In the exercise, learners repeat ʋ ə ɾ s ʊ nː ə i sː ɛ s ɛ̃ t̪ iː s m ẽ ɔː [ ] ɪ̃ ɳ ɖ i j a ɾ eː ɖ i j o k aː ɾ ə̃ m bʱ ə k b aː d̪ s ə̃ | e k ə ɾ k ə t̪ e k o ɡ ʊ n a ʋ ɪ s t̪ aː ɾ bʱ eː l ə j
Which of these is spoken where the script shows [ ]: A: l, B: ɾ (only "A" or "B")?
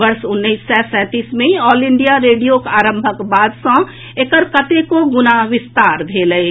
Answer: A